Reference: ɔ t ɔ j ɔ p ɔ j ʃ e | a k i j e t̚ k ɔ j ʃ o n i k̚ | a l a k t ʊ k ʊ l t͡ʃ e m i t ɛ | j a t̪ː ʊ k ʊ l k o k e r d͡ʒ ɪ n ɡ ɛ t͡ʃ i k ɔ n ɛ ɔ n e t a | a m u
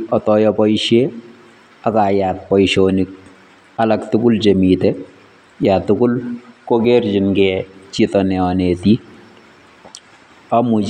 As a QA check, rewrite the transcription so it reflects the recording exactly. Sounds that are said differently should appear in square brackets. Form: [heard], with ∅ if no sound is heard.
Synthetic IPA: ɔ t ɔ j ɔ p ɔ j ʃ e | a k [a] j [a] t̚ [p] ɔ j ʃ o n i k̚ | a l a k t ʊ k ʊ l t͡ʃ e m i t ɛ | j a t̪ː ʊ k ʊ l k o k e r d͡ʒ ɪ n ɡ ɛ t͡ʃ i [t] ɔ n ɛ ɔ n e t [i] | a m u